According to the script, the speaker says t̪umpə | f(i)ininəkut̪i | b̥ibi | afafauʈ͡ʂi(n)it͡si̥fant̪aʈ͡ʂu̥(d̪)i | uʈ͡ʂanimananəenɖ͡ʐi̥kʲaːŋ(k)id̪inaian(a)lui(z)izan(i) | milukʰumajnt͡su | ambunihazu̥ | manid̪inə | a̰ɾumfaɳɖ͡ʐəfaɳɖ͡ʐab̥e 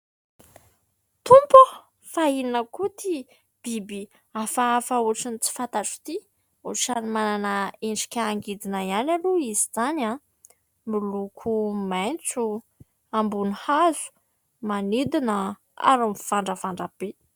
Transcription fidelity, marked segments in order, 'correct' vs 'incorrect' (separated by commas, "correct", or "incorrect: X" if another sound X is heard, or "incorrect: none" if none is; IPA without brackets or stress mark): incorrect: a, correct, incorrect: t̪, incorrect: ɡ, correct, correct, incorrect: a